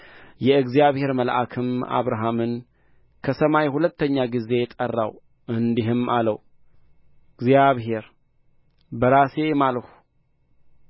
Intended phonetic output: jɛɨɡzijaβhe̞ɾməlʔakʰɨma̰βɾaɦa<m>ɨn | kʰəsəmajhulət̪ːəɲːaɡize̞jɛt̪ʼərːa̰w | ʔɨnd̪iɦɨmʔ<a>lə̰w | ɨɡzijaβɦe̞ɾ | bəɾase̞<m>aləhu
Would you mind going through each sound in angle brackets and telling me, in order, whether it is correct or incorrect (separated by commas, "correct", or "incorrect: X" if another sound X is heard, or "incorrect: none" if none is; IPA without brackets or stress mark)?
correct, correct, correct